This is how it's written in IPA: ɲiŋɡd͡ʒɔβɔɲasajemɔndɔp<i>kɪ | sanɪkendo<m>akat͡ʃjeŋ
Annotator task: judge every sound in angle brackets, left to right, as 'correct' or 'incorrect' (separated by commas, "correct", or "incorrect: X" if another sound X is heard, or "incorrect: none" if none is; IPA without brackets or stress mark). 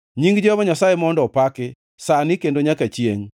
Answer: incorrect: a, incorrect: ɲ